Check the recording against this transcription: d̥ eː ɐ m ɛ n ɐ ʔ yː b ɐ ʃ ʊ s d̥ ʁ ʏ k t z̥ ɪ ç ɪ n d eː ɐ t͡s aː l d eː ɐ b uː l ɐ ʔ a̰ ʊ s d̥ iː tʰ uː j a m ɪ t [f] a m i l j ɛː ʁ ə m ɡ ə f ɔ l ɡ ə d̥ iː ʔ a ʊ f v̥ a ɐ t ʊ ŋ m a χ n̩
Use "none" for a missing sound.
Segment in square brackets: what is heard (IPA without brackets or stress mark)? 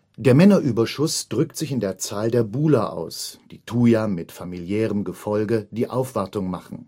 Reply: f